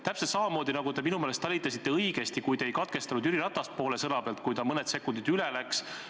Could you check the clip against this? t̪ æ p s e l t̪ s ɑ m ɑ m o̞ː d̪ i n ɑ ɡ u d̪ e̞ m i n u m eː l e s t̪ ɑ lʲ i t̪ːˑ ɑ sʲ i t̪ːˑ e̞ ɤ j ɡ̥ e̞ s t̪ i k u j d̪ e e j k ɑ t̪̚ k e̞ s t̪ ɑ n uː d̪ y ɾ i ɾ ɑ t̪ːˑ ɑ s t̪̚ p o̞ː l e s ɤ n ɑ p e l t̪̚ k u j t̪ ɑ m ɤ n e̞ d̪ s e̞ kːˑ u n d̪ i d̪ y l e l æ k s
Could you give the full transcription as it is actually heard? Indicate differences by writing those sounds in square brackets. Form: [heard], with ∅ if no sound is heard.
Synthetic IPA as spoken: t̪ æ p s e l t̪ s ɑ m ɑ m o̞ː d̪ i n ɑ ɡ u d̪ e̞ m i n u m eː l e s t̪ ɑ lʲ i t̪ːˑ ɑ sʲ i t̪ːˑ e̞ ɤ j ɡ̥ e̞ s t̪ i k u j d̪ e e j k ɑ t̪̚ k e̞ s t̪ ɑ n [u] d̪ y ɾ i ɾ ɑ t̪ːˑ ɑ s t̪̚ p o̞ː l e s ɤ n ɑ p e l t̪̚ k u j t̪ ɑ m ɤ n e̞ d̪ s e̞ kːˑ u n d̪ i d̪ y l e l æ k s